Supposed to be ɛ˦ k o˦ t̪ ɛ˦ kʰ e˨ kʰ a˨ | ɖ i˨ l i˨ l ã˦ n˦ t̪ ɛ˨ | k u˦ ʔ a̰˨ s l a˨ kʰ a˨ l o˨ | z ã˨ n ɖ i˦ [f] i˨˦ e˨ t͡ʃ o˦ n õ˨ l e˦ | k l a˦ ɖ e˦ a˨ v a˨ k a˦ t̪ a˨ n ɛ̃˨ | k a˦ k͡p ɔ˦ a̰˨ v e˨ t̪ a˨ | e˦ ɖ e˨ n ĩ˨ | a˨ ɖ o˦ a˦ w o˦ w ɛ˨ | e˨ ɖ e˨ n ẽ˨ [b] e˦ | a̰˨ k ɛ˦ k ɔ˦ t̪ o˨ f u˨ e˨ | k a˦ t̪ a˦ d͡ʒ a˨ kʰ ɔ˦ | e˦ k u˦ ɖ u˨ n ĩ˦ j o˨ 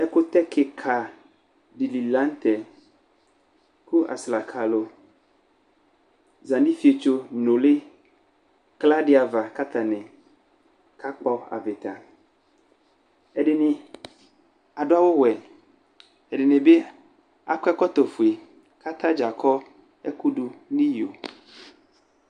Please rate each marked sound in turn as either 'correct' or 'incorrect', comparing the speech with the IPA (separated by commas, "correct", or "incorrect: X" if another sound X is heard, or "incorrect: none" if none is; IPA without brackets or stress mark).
correct, correct